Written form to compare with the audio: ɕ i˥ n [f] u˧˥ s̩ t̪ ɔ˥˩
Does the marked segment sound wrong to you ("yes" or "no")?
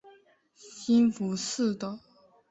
no